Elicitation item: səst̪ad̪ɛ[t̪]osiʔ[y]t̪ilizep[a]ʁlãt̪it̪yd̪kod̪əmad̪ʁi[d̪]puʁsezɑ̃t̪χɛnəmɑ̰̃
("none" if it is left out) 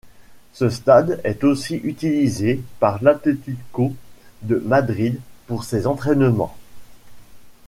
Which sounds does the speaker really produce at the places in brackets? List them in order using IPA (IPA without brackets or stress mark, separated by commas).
t̪, y, a, d̪